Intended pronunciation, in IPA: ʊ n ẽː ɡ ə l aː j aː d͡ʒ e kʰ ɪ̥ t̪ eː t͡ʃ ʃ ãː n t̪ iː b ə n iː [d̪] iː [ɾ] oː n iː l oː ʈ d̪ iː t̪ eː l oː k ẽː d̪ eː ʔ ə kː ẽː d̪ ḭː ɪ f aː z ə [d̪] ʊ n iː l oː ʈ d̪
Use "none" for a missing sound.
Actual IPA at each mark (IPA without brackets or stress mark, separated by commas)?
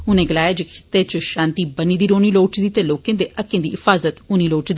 d̪, ɾ, t̪